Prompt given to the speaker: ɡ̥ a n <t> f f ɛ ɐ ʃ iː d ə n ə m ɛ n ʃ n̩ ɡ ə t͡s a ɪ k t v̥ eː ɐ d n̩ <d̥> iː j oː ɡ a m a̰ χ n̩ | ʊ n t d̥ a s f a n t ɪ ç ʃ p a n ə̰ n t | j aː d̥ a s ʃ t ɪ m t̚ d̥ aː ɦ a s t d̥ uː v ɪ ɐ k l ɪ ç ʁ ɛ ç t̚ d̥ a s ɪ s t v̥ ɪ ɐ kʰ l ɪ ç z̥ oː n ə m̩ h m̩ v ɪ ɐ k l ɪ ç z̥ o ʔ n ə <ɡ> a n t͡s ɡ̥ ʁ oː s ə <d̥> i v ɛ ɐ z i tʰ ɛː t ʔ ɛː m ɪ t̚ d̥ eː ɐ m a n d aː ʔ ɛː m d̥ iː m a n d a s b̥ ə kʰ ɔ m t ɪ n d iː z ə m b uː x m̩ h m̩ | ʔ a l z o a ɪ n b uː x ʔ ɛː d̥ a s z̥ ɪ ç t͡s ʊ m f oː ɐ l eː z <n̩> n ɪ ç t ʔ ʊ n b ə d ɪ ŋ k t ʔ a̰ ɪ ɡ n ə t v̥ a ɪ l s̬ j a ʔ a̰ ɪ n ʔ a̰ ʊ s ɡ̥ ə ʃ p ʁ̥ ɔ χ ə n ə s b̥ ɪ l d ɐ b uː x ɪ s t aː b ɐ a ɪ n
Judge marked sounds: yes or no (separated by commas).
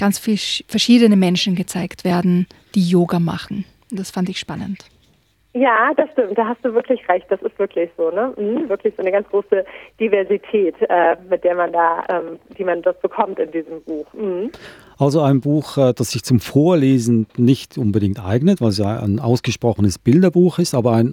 no, yes, yes, yes, yes